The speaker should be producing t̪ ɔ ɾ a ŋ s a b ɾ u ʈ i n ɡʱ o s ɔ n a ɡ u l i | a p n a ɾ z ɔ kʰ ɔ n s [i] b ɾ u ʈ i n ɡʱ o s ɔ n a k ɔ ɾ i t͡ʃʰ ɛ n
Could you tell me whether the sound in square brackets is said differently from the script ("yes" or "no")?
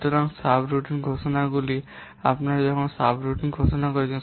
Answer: yes